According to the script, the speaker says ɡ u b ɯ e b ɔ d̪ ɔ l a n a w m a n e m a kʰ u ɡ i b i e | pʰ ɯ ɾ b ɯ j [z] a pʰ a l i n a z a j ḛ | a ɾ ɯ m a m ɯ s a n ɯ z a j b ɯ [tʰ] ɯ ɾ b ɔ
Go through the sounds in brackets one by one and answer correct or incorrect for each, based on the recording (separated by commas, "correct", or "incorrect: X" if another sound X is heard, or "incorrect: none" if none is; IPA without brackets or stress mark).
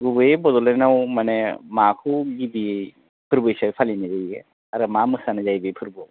incorrect: s, incorrect: pʰ